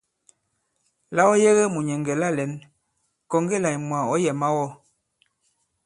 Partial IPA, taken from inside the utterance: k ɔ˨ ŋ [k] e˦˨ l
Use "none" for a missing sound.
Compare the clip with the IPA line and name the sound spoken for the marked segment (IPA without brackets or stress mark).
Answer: ɡ